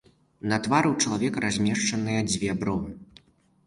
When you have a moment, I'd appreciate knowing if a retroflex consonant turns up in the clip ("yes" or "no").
yes